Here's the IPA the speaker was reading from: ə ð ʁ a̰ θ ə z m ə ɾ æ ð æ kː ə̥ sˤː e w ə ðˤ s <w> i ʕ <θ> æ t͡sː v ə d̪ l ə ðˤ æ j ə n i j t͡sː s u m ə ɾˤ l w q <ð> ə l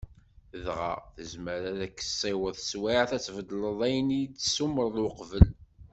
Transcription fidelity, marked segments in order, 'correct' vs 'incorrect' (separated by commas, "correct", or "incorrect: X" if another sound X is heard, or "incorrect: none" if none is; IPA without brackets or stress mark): correct, correct, incorrect: v